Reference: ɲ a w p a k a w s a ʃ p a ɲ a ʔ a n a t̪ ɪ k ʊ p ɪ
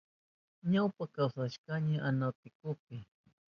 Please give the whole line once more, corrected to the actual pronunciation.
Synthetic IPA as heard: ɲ a w p a k a w s a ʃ k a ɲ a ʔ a n a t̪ ɪ k ʊ p ɪ